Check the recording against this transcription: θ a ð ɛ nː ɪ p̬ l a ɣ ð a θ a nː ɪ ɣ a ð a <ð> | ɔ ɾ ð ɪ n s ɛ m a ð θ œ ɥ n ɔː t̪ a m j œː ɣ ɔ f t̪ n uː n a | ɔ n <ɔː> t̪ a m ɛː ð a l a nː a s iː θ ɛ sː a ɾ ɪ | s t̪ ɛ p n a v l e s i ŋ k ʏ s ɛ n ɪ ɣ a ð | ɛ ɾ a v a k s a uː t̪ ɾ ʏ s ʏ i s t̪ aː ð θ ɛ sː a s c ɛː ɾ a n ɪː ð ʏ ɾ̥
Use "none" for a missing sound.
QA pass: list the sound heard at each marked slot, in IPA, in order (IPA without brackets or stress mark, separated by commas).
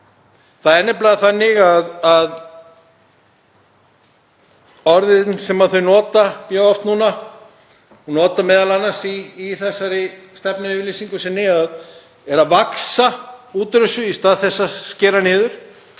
ð, ɔː